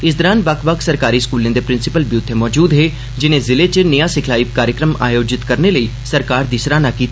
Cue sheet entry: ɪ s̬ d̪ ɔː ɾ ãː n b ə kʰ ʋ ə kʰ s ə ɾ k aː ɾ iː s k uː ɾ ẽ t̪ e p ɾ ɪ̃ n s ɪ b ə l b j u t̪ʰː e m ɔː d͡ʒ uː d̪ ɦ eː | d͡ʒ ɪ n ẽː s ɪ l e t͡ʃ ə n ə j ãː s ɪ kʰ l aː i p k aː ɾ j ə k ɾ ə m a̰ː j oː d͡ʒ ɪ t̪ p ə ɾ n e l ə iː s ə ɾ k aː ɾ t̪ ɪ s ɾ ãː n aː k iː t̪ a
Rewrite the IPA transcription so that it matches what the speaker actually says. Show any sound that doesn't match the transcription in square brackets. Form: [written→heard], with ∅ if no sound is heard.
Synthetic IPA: ɪ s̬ d̪ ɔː ɾ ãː n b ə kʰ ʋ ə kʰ s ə ɾ k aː ɾ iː s k uː [ɾ→l] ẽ [t̪→d̪] e p ɾ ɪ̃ n s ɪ [b→p] ə l b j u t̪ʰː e m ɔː d͡ʒ uː d̪ ɦ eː | d͡ʒ ɪ n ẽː [s→z] ɪ l e t͡ʃ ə n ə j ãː s ɪ kʰ l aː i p k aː ɾ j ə k ɾ ə m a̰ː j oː d͡ʒ ɪ t̪ [p→k] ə ɾ n e l ə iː s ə ɾ k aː ɾ [t̪→d̪] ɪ s ɾ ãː n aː k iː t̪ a